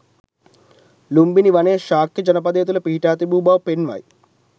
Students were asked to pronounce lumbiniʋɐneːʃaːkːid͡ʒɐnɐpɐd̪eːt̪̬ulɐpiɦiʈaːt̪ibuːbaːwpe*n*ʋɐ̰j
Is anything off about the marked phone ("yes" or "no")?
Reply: no